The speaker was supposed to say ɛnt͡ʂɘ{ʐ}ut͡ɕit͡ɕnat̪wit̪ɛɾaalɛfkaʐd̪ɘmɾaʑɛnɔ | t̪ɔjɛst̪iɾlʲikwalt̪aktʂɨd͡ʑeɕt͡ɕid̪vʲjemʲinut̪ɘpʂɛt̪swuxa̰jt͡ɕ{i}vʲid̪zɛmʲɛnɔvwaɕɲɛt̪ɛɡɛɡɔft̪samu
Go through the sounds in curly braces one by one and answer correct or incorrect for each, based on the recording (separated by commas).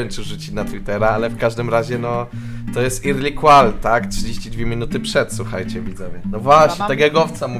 correct, incorrect